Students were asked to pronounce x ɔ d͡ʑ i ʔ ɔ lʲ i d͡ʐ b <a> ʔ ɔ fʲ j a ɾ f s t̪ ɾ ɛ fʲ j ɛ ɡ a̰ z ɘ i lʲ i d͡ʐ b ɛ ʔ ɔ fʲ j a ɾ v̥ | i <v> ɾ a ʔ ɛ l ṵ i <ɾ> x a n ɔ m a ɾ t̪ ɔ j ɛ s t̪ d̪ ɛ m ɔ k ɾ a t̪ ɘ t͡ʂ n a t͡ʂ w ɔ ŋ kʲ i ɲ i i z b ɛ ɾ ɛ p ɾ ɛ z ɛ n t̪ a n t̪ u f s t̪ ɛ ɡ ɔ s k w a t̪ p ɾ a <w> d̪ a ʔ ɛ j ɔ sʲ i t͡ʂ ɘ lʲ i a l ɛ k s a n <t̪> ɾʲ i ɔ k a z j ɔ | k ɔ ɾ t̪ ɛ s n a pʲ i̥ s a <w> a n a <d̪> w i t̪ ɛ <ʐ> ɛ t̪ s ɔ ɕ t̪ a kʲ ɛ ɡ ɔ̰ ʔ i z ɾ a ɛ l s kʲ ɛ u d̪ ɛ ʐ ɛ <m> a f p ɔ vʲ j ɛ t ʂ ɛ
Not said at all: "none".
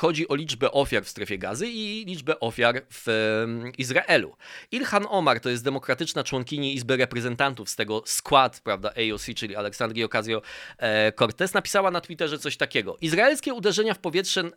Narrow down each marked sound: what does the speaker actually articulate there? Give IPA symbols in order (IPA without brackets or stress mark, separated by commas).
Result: ɛ, z, l, v, d̪, w, t̪, ʐ, ɲ